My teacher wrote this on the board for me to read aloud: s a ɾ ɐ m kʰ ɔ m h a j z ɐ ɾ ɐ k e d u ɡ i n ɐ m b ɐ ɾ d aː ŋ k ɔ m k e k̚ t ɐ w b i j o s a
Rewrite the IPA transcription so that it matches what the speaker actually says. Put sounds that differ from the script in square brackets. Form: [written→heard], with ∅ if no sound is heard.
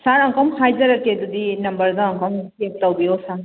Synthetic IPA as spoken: s a ɾ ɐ [m→ŋ] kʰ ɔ m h a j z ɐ ɾ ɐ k e d u [ɡ→d] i n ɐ m b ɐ ɾ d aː ŋ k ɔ m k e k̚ t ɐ w b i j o s a

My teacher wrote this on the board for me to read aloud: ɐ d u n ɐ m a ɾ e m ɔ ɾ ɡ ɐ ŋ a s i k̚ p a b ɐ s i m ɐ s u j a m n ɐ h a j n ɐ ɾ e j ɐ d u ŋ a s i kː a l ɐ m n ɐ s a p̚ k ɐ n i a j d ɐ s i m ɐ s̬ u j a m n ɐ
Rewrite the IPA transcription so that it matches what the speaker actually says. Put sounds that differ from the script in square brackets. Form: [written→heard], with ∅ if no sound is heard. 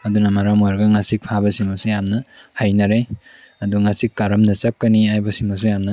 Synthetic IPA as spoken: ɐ d u n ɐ m a ɾ [e→a] m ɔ ɾ ɡ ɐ ŋ a s i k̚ [p→pʰ] a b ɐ s i m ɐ s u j a m n ɐ h a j n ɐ ɾ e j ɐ d u ŋ a s i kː a [l→ɾ] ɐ m n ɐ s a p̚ k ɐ n i a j [d→b] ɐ s i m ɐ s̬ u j a m n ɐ

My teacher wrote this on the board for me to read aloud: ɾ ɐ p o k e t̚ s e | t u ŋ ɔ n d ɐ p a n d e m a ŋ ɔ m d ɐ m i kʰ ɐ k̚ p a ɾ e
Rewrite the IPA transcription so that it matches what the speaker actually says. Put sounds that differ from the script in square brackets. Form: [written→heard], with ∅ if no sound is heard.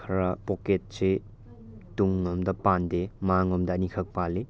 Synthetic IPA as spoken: ɾ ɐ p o k e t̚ s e | t u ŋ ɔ [n→m] d ɐ p a n d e m a ŋ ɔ m d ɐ [m→n] i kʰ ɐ k̚ p a [ɾ→l] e

